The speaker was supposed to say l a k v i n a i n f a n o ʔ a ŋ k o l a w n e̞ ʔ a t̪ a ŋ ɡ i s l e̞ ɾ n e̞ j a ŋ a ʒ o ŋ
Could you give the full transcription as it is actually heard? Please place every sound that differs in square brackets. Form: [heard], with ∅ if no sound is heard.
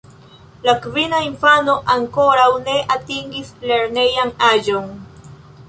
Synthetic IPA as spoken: l a k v i n a i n f a n o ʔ a ŋ k o [ɾ] a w n e̞ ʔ a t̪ [i] ŋ ɡ i s l e̞ ɾ n e̞ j a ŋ a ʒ o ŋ